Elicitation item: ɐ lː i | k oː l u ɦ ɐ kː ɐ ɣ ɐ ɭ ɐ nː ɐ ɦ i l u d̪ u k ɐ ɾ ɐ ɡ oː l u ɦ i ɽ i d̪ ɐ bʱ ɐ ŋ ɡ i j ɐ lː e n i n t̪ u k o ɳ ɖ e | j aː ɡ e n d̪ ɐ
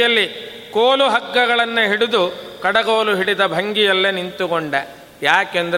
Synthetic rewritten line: ɐ lː i | k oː l u ɦ ɐ kː ɐ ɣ ɐ ɭ ɐ nː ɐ ɦ i ɽ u d̪ u k ɐ ɽ ɐ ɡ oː l u ɦ i ɽ i d̪ ɐ bʱ ɐ ŋ ɡ i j ɐ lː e n i n t̪ u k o ɳ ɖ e | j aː k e n d̪ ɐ